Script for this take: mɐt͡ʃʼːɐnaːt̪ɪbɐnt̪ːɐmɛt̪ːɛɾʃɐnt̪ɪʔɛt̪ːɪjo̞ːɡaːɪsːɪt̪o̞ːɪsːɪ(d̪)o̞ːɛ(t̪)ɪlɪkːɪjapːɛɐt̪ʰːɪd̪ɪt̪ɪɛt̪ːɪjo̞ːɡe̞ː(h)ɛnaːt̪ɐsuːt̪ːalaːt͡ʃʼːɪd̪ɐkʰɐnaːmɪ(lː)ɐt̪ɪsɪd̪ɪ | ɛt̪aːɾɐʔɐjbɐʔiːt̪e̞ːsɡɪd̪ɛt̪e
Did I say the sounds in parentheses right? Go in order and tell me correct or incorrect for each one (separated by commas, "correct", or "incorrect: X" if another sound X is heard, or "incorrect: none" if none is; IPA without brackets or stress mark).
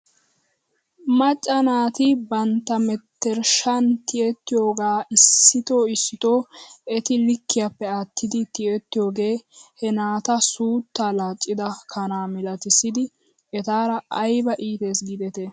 incorrect: t̪, correct, correct, incorrect: l